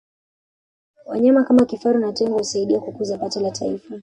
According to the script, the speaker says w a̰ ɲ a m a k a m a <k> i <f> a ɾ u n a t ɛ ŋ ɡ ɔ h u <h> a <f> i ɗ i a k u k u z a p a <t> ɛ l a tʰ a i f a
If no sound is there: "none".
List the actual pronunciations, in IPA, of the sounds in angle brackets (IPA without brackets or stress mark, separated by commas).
k, f, s, none, t